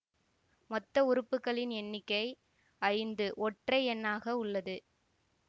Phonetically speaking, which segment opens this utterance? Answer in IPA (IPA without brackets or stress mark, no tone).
m